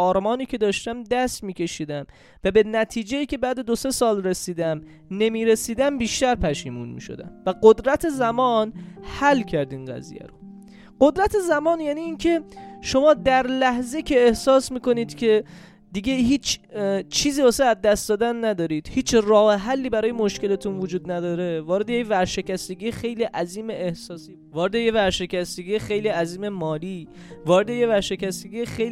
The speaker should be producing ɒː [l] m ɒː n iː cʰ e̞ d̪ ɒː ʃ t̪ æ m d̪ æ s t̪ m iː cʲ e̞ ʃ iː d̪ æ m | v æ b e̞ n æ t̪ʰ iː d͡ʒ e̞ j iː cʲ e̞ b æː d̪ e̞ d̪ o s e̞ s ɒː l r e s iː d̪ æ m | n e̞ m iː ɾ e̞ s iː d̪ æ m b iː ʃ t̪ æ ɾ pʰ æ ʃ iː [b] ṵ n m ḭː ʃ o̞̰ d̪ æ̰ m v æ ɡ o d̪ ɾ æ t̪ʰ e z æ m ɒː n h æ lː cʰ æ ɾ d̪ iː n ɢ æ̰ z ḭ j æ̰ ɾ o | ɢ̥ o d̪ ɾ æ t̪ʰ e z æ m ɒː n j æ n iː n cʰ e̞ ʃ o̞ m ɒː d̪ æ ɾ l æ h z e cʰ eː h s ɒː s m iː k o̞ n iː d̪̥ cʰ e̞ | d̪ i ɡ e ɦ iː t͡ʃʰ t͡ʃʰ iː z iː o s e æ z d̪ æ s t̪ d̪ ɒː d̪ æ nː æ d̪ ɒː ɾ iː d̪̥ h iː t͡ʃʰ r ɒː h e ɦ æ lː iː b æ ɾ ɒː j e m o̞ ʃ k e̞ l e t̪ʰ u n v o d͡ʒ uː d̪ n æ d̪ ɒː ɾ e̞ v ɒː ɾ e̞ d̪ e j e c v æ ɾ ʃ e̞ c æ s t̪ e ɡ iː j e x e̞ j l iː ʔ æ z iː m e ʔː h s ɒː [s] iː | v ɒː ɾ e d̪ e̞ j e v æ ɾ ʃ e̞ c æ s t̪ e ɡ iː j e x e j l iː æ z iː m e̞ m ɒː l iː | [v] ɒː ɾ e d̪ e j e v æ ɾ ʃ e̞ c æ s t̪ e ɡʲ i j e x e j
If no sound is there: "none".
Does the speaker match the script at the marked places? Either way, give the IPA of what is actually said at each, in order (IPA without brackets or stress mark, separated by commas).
ɾ, m, s, v